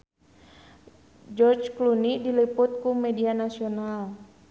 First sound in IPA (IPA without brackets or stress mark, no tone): d͡ʒ